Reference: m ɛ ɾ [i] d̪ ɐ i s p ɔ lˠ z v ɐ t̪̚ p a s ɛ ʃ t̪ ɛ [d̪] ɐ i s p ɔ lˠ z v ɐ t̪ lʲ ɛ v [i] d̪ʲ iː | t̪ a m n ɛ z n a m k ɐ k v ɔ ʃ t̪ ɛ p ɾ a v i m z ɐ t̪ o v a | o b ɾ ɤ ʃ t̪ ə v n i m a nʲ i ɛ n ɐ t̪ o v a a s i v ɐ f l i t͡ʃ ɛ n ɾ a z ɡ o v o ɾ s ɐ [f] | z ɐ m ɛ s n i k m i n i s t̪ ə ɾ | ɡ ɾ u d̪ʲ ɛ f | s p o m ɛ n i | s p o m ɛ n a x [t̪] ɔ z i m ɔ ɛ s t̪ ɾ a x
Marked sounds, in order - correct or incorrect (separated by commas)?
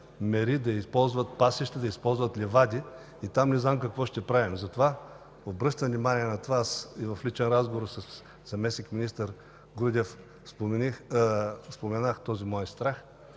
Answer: correct, correct, incorrect, incorrect, correct